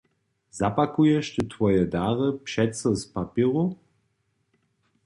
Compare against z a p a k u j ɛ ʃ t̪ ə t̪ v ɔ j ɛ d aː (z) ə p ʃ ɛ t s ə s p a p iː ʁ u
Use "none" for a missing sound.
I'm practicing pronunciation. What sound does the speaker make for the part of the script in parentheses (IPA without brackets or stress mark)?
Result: ʁ